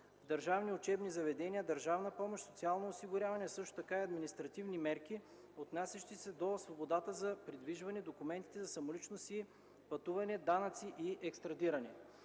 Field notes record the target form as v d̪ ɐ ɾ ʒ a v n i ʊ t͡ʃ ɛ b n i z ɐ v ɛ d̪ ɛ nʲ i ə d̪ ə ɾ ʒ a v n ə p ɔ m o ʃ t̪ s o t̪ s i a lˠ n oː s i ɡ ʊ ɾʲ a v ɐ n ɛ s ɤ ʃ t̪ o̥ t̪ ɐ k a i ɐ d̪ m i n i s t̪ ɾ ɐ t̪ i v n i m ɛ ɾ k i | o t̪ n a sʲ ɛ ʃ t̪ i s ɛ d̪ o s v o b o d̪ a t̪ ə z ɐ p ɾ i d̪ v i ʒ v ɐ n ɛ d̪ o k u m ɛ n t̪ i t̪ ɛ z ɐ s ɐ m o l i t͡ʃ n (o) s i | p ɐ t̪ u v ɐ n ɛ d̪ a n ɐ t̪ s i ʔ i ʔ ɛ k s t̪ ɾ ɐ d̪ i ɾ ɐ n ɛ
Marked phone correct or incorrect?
correct